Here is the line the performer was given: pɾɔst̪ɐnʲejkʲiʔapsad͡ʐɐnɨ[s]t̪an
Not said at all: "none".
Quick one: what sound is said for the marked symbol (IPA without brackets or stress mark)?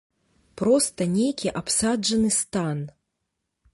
s